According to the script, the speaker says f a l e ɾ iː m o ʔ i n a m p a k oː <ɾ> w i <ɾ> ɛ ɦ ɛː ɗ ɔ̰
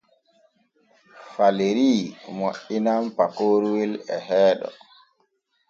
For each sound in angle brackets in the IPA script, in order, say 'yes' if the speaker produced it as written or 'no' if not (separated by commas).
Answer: yes, no